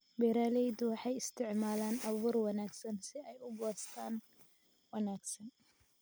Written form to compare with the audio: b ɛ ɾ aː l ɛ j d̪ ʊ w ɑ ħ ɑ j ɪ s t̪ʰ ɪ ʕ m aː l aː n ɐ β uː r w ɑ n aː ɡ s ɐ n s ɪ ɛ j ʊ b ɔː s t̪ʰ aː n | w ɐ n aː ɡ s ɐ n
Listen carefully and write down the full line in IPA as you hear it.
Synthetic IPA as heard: b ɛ ɾ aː l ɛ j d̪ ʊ w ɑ ħ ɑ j ɪ s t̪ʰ ɪ ʕ m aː l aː n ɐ β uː r w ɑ n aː ɡ s ɐ n s ɪ ɛ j ʊ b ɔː s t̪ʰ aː n | w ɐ n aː ɡ s ɐ n